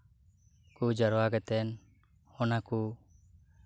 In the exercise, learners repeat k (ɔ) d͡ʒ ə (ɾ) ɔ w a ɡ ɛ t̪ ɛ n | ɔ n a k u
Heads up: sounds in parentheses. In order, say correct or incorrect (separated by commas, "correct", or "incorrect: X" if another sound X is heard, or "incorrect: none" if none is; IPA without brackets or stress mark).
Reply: incorrect: u, correct